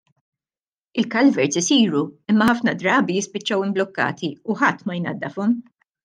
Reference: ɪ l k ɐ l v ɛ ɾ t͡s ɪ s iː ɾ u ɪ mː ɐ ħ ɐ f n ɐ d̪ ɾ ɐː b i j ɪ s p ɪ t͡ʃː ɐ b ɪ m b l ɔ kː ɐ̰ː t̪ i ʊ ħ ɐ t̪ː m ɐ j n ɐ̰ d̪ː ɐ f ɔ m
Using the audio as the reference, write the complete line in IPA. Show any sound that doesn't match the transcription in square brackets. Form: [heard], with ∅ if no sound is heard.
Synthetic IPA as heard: ɪ l k ɐ l v ɛ ɾ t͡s ɪ s iː ɾ u ɪ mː ɐ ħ ɐ f n ɐ d̪ ɾ ɐː b i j ɪ s p ɪ t͡ʃː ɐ [w] ɪ m b l ɔ kː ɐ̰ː t̪ i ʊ ħ ɐ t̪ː m ɐ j n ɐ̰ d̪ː ɐ f ɔ m